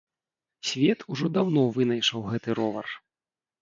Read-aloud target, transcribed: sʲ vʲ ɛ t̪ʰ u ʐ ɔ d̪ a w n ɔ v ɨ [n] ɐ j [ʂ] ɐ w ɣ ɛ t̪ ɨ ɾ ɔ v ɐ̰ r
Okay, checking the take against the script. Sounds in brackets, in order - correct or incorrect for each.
correct, correct

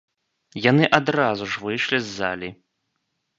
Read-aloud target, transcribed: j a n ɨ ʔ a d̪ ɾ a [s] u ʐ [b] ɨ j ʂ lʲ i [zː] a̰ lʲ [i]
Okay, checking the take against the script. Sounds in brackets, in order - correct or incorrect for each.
incorrect: z, incorrect: v, correct, correct

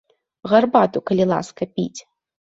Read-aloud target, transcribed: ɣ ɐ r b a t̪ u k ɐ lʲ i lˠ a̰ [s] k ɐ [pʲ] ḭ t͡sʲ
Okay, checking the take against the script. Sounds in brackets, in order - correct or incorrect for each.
correct, correct

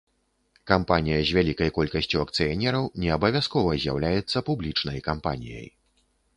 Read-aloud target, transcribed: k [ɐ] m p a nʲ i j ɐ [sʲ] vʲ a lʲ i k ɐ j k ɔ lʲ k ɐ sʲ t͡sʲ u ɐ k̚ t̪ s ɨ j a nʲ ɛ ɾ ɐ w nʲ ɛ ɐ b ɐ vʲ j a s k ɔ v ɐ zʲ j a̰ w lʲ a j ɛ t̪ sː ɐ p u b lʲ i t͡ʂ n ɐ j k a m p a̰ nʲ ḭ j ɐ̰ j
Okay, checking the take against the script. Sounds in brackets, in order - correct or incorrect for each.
incorrect: a, incorrect: zʲ

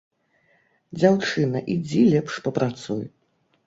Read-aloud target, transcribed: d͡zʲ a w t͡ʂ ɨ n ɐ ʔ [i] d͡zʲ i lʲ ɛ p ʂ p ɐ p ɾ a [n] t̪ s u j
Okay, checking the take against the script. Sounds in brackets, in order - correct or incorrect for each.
correct, incorrect: none

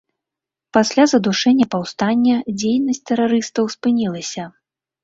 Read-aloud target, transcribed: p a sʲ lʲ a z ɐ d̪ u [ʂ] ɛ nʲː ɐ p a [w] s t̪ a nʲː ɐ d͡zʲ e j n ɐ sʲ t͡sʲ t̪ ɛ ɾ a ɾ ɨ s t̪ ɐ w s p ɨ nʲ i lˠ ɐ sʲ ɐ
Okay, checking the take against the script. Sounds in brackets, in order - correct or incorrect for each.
correct, correct

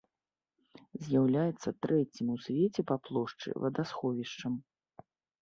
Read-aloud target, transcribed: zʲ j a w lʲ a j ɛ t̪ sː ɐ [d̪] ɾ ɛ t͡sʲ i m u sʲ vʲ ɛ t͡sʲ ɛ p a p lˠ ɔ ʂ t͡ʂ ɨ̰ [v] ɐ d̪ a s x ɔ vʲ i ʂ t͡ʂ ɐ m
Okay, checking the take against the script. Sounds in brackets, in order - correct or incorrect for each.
incorrect: t̪, correct

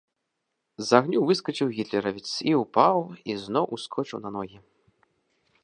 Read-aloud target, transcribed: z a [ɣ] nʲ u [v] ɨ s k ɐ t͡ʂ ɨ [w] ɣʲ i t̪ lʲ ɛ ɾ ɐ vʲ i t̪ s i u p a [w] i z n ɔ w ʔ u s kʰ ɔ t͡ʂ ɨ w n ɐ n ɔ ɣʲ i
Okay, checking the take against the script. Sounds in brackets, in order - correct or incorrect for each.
correct, correct, correct, correct

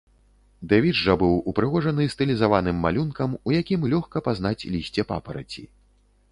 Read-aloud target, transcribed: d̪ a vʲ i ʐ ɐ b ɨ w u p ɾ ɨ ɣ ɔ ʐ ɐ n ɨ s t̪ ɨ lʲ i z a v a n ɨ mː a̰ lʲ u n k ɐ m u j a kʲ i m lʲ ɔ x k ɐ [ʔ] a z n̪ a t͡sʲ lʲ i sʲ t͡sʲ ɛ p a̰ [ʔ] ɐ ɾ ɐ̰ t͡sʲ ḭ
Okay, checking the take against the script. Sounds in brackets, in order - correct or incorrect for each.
incorrect: p, incorrect: p

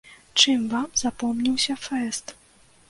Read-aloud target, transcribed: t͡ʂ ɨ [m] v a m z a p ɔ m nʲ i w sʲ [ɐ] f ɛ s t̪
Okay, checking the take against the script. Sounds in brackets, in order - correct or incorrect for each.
correct, correct

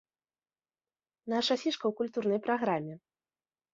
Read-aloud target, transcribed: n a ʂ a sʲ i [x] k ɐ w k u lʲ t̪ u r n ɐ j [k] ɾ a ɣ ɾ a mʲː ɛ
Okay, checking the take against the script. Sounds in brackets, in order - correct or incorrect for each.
incorrect: ʂ, incorrect: p

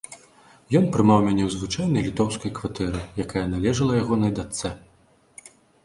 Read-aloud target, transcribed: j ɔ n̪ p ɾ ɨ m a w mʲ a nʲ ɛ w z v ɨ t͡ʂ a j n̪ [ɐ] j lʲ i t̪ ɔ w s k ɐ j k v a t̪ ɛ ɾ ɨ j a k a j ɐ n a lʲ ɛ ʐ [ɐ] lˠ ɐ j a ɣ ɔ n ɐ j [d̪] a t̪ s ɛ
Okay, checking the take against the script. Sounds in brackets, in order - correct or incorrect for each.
correct, correct, correct

